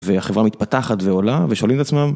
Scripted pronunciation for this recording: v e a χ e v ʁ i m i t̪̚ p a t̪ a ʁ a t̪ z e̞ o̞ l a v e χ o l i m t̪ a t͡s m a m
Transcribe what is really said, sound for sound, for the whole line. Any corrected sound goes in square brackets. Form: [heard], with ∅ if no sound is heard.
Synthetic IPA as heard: v e a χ e v ʁ [a] m i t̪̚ p a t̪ a [χ] a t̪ [v] e̞ o̞ l a v e [ʃ] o l i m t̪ a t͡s m a m